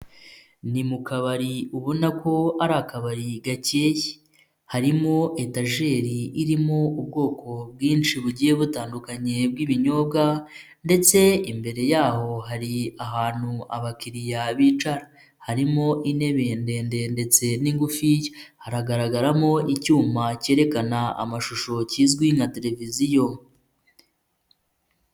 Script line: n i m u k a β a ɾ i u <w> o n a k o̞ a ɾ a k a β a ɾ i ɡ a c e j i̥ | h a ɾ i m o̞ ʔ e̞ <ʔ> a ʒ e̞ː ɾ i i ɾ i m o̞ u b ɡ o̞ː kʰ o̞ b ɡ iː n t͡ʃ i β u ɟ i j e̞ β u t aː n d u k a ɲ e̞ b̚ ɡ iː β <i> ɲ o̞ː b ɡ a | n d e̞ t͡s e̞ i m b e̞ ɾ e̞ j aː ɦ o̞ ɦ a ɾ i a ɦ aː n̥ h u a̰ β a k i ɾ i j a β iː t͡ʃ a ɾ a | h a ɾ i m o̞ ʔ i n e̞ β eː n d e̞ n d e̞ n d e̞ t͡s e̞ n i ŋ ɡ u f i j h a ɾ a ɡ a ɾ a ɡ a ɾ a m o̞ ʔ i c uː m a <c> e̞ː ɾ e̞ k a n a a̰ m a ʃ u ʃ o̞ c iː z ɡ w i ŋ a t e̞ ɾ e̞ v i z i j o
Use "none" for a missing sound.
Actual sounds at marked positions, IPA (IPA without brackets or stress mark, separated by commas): β, t, i, c